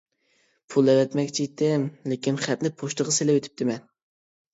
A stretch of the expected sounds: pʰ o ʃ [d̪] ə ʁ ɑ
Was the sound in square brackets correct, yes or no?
no